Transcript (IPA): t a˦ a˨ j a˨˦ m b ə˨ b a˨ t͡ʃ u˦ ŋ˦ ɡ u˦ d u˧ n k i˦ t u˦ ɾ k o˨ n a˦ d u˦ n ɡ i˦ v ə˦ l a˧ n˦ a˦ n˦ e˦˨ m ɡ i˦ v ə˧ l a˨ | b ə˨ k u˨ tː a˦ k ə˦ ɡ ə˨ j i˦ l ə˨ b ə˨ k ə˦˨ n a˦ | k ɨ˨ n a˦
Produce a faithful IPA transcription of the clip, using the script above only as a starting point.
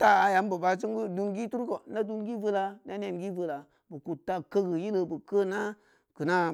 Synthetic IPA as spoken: t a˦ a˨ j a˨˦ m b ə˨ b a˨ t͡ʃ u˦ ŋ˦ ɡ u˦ d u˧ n ɡ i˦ t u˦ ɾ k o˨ n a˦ d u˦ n ɡ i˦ v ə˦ l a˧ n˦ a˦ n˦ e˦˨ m ɡ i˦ v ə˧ l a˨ | b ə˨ k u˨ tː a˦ k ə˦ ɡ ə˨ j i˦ l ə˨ b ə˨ k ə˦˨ n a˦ | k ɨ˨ n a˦